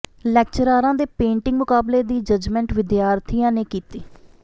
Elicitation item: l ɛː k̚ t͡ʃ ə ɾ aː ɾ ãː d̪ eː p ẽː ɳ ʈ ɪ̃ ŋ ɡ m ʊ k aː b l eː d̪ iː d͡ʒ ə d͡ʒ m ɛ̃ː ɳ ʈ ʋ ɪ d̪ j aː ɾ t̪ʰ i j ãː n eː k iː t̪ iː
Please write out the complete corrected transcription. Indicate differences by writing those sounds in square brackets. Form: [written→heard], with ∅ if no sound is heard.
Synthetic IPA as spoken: l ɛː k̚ t͡ʃ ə ɾ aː ɾ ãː d̪ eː p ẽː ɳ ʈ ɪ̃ ŋ ɡ m ʊ k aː b l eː d̪ iː d͡ʒ ə d͡ʒ m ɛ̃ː ɳ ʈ ʋ ɪ d̪ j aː ɾ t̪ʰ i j ãː n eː k iː t̪ iː

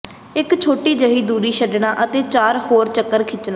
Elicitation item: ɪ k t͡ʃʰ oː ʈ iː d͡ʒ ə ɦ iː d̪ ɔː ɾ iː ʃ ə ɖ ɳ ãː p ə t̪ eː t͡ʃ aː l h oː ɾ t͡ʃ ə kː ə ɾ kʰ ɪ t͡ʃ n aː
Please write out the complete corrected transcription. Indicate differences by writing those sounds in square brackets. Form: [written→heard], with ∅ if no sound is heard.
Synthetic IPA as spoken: ɪ k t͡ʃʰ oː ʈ iː d͡ʒ ə ɦ iː d̪ [ɔː→uː] ɾ iː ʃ ə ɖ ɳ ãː [p→ʔ] ə t̪ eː t͡ʃ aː [l→ɾ] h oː ɾ t͡ʃ ə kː ə ɾ kʰ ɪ t͡ʃ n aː

